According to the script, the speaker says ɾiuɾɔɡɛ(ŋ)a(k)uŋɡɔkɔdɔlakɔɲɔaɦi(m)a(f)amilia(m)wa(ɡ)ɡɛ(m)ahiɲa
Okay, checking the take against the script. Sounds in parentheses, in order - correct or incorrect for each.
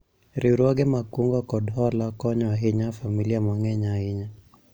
incorrect: m, correct, incorrect: ɲ, correct, correct, incorrect: ŋ, incorrect: ɲ

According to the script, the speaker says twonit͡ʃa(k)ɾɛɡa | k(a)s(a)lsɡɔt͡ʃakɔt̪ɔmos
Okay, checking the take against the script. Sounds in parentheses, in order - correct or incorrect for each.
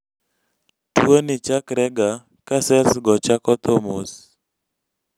correct, correct, incorrect: ɛ

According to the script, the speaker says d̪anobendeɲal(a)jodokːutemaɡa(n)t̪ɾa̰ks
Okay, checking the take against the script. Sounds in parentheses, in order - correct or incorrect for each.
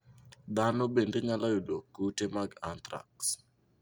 correct, correct

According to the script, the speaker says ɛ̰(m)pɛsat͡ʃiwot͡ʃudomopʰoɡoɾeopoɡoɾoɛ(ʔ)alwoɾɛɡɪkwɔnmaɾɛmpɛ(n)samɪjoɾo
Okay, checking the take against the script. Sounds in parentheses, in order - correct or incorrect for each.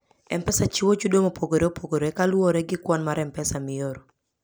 correct, incorrect: k, incorrect: none

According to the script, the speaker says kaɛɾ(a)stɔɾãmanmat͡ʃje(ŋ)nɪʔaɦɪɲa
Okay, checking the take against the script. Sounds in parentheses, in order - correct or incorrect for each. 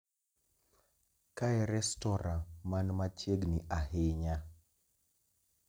incorrect: ɛ, incorrect: ɡ

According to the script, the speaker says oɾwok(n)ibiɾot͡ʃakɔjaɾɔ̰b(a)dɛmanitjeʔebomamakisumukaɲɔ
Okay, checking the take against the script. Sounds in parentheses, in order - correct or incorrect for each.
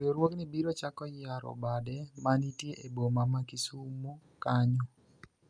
correct, correct

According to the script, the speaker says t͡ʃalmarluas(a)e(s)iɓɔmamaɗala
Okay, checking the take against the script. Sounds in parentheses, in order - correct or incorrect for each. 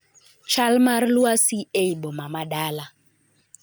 incorrect: i, incorrect: none

